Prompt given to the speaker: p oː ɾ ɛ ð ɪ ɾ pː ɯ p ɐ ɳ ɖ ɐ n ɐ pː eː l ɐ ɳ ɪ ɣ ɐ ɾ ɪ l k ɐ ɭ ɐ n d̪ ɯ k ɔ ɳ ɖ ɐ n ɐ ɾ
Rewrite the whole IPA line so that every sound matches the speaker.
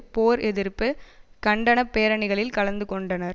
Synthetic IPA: p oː ɾ ɛ ð ɪ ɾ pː ɯ k ɐ ɳ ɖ ɐ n ɐ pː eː ɾ ɐ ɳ ɪ ɣ ɐ ɭ ɪ l k ɐ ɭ ɐ n d̪ ɯ k ɔ ɳ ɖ ɐ n ɐ ɾ

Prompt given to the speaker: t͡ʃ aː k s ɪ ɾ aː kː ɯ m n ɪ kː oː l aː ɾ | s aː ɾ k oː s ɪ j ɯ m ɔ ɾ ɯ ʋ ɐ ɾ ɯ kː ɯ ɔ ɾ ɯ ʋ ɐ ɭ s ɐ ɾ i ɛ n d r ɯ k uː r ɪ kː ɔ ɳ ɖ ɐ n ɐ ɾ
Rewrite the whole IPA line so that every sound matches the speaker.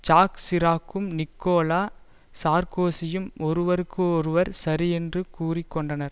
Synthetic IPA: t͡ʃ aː k s ɪ ɾ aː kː ɯ m n ɪ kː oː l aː | s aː ɾ k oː s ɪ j ɯ m ɔ ɾ ɯ ʋ ɐ ɾ ɯ kː ɯ ɔ ɾ ɯ ʋ ɐ ɾ s ɐ ɾ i ɛ n d r ɯ k uː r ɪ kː ɔ ɳ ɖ ɐ n ɐ ɾ

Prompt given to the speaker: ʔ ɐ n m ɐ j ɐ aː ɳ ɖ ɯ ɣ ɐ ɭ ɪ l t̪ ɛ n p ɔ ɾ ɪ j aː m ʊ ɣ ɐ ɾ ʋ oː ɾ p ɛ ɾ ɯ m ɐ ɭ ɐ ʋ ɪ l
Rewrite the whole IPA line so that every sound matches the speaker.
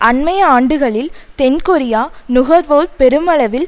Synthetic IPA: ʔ ɐ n m ɐ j ɐ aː ɳ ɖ ɯ ɣ ɐ ɭ ɪ l t̪ ɛ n k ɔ ɾ ɪ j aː n ʊ ɣ ɐ ɾ ʋ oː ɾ p ɛ ɾ ɯ m ɐ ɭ ɐ ʋ ɪ l

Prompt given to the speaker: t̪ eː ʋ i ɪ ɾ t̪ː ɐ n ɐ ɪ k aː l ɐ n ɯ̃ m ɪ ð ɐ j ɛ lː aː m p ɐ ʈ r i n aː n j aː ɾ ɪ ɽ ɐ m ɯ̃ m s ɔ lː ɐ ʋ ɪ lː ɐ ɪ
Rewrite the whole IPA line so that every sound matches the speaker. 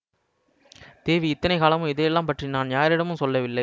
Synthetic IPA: t̪ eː ʋ i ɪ t̪ː ɐ n ɐ ɪ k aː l ɐ m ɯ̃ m ɪ ð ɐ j ɛ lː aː m p ɐ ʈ r i n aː n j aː ɾ ɪ ɽ ɐ m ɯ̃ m s ɔ lː ɐ ʋ ɪ lː ɐ ɪ

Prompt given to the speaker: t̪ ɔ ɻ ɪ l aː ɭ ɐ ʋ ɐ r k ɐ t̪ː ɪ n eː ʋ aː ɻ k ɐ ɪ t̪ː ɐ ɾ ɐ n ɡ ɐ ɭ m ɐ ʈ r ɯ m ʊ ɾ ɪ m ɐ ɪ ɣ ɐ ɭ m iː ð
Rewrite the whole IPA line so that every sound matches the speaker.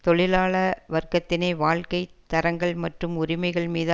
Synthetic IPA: t̪ ɔ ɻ ɪ l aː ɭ ɐ ʋ ɐ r k ɐ t̪ː ɪ n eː ʋ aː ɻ k ɐ ɪ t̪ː ɐ ɾ ɐ ŋ ɡ ɐ ɭ m ɐ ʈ r ɯ m ʊ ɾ ɪ m ɐ ɪ ɣ ɐ ɭ m iː ð

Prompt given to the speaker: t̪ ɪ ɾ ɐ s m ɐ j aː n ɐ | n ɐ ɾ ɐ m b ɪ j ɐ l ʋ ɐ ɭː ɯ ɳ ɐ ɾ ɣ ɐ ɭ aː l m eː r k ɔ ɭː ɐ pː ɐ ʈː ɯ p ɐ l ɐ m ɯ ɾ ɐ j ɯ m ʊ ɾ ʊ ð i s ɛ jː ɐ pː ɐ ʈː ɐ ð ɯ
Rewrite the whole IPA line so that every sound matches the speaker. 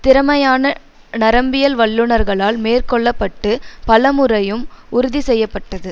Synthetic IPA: t̪ ɪ ɾ ɐ m ɐ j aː n ɐ | n ɐ ɾ ɐ m b ɪ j ɐ l ʋ ɐ ɭː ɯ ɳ ɐ ɾ ɣ ɐ ɭ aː l m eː r k ɔ ɭː ɐ pː ɐ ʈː ɯ p ɐ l ɐ m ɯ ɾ ɐ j ɯ m ʊ ɾ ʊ ð i s ɛ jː ɐ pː ɐ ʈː ɐ ð ɯ

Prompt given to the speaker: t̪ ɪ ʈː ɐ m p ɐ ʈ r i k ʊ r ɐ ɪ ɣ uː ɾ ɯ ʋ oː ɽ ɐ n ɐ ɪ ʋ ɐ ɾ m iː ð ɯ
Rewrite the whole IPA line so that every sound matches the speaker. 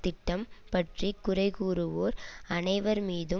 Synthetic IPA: t̪ ɪ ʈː ɐ m p ɐ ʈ r i k ʊ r ɐ ɪ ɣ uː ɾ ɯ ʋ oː ɾ ɐ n ɐ ɪ ʋ ɐ ɾ m iː ð ɯ

